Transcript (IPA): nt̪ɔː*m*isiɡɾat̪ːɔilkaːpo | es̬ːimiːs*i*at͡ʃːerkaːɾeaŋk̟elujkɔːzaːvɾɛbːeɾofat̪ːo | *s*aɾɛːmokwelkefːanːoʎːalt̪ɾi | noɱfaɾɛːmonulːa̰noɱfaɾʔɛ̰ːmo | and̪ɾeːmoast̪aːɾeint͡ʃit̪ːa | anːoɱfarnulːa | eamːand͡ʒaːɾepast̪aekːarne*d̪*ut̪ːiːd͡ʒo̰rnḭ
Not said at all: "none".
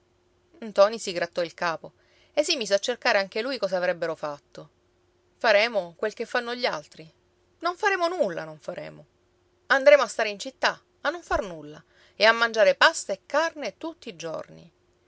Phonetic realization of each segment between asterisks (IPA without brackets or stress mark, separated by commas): n, e, f, t̪